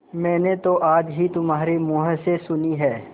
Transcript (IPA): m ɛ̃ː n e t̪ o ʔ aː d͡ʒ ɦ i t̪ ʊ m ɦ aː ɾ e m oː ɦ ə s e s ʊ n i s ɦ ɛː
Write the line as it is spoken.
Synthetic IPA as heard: m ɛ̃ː n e t̪ o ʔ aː d͡ʒ ɦ i t̪ ʊ m ɦ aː ɾ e m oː ɦ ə s e s ʊ n i ɦ ɛː